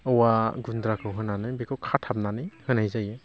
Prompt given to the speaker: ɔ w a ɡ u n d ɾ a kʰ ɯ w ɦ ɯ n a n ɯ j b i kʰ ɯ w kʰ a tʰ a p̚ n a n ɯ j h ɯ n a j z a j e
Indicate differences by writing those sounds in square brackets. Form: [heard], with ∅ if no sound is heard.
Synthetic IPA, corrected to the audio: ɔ w a ɡ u n d ɾ a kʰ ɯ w ɦ ɯ n a n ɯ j b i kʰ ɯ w kʰ a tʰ a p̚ n a n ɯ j h ɯ n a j z a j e